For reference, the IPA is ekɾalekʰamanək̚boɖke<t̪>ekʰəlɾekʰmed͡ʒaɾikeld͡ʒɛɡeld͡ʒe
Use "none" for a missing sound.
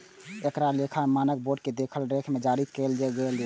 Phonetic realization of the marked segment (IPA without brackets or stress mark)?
d̪